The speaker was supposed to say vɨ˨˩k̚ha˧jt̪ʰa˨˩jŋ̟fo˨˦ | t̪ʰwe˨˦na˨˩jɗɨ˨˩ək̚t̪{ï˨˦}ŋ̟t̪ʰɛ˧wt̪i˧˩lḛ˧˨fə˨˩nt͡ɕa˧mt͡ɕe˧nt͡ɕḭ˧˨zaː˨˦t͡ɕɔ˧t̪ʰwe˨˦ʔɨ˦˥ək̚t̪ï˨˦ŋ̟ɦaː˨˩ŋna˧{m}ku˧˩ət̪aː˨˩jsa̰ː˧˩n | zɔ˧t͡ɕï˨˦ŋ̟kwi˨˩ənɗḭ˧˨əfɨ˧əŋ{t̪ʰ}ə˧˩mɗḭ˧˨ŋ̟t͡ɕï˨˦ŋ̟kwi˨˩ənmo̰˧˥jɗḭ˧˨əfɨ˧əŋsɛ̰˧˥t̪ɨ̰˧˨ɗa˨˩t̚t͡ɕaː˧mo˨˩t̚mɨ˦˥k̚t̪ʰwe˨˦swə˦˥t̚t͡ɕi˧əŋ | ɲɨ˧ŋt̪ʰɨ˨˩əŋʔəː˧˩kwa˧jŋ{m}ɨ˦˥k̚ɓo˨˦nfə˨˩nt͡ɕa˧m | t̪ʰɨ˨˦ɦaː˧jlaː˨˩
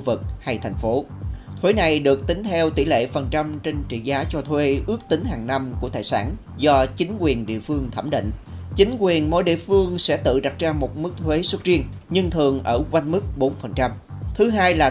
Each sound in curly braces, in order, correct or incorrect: correct, correct, correct, correct

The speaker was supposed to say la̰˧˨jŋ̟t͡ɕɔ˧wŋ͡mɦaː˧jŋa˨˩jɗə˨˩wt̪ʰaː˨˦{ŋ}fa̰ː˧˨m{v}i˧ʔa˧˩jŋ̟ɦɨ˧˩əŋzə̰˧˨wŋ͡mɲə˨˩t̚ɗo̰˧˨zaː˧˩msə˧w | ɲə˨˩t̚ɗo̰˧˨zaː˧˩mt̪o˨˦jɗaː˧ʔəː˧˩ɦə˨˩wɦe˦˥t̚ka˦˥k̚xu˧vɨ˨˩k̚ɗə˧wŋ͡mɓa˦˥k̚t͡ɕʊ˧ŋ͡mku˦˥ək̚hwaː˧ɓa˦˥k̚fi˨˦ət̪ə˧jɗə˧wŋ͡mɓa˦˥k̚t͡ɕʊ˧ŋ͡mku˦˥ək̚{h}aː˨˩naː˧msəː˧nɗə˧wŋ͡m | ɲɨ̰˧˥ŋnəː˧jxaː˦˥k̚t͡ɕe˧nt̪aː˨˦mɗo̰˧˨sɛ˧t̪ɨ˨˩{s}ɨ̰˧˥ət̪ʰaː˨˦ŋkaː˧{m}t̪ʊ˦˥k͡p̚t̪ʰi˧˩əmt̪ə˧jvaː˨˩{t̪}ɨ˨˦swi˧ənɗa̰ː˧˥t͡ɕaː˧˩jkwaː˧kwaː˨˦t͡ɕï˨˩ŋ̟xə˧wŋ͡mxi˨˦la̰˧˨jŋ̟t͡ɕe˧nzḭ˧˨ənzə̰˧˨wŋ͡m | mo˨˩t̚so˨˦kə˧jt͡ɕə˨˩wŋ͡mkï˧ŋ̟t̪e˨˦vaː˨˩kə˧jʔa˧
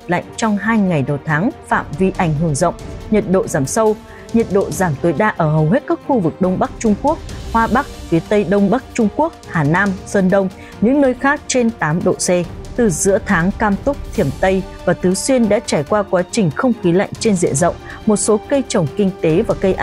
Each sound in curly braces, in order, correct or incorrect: correct, correct, correct, incorrect: z, correct, correct

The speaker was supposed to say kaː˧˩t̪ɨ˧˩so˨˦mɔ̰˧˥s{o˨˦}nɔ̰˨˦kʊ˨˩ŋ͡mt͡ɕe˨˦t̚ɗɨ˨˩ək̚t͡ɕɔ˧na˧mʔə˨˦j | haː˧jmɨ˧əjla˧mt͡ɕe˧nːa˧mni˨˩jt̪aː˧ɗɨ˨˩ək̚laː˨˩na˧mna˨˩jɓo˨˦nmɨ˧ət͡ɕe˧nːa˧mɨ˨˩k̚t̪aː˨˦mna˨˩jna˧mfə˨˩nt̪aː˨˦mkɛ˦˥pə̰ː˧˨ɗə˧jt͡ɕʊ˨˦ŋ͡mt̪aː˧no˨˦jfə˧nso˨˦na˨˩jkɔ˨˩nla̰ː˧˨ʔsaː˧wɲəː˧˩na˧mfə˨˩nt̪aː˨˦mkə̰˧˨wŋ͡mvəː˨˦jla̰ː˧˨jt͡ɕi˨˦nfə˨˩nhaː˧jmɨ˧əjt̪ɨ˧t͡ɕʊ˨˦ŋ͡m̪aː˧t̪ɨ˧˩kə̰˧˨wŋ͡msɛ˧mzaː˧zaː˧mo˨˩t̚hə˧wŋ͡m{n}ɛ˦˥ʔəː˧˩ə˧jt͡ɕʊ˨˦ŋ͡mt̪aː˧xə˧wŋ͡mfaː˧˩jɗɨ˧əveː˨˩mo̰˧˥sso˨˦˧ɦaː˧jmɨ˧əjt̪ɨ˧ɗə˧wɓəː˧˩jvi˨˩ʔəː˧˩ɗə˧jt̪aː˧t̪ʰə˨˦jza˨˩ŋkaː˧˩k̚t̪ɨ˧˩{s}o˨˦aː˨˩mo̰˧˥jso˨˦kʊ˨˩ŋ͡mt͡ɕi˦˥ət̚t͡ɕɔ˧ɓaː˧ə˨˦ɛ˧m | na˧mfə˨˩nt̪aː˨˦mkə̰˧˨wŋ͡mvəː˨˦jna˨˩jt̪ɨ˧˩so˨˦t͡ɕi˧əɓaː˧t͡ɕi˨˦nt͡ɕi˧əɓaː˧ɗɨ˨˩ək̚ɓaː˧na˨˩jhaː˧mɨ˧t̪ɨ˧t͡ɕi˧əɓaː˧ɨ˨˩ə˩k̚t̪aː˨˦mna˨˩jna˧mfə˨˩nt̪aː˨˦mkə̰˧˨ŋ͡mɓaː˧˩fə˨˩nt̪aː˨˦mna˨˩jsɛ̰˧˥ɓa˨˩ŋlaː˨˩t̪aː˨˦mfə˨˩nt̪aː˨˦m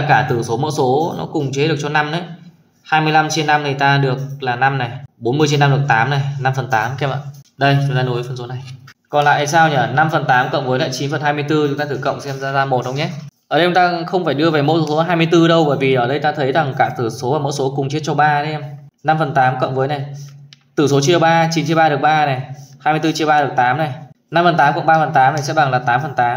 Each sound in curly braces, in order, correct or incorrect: correct, incorrect: ɲ, correct

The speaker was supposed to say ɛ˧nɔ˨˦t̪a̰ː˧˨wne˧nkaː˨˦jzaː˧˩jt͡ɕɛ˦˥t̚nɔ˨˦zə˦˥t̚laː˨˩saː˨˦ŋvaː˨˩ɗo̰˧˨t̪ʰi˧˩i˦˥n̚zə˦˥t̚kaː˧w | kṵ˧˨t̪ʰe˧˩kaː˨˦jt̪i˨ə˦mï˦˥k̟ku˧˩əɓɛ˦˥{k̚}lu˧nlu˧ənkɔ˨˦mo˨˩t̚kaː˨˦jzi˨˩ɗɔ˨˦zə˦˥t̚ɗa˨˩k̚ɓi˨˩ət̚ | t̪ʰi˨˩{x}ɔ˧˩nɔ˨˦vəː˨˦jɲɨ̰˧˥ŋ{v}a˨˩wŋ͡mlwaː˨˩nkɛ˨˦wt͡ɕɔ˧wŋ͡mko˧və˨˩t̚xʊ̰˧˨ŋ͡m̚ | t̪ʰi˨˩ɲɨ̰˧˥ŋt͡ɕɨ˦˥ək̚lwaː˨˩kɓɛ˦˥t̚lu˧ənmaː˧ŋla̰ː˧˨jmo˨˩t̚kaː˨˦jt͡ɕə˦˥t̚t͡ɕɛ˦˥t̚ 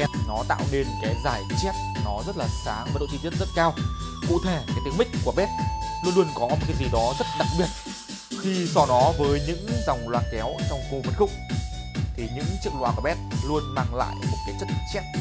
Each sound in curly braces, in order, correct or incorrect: incorrect: t̚, incorrect: s, incorrect: z

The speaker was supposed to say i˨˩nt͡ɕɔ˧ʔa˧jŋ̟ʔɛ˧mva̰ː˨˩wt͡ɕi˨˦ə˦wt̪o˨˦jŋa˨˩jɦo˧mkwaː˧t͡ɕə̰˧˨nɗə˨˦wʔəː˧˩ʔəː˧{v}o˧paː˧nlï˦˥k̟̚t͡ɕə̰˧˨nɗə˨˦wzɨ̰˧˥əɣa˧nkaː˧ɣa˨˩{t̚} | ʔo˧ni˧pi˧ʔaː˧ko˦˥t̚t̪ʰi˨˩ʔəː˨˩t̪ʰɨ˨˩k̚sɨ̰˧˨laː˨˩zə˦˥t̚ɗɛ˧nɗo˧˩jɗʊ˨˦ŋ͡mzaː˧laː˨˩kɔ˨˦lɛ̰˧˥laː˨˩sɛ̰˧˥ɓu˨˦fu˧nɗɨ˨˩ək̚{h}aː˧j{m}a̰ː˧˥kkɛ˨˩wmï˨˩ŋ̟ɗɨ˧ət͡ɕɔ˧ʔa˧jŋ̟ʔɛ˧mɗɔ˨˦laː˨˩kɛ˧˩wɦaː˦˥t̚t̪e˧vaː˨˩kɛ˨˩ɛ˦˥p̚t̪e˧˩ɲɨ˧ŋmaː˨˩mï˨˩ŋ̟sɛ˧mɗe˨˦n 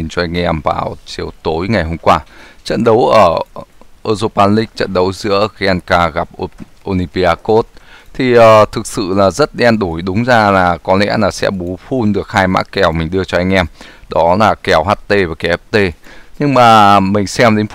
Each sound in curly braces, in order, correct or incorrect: incorrect: z, incorrect: p̚, correct, correct

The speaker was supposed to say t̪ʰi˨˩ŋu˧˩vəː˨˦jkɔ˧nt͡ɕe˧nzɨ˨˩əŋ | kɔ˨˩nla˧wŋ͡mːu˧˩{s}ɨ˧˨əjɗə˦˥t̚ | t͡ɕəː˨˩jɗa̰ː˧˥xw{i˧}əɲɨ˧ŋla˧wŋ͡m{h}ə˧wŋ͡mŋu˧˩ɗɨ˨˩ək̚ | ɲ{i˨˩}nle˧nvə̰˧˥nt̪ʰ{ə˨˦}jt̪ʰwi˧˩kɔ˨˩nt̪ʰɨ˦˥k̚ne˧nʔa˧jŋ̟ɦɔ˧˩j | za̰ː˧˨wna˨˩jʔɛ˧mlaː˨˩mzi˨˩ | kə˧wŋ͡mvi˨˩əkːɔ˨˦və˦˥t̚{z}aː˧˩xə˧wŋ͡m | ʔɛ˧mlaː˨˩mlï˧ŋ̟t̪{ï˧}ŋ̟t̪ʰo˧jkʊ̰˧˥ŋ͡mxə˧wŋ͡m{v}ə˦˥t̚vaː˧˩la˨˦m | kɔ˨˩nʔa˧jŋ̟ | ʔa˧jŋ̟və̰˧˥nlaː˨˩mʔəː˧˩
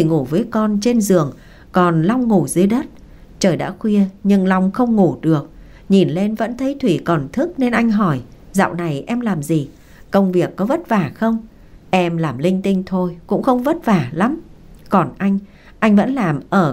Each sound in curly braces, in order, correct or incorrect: incorrect: z, correct, incorrect: x, correct, correct, incorrect: v, correct, correct

